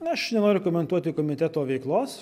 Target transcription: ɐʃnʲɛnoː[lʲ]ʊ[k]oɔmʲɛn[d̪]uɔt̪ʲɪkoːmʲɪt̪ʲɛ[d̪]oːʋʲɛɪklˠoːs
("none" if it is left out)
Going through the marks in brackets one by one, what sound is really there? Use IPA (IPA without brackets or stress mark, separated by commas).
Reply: ɾʲ, k, t̪, t̪